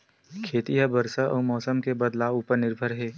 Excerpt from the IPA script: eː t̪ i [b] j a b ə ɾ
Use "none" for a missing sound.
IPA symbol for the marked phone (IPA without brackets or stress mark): none